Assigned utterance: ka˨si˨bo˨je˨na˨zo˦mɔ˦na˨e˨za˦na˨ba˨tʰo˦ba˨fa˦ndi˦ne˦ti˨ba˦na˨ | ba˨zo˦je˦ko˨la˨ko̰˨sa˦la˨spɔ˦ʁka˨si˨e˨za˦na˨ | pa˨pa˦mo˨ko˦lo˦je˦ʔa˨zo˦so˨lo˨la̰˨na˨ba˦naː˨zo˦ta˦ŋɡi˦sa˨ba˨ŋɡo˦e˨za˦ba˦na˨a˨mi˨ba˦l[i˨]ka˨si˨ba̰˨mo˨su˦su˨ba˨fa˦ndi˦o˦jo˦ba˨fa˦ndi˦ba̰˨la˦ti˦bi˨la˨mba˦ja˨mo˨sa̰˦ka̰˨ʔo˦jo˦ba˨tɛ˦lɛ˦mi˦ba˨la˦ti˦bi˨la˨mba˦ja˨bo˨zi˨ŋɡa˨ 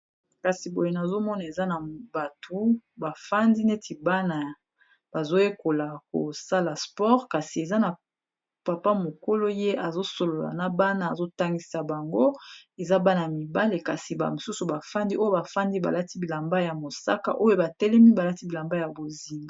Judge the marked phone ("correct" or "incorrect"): incorrect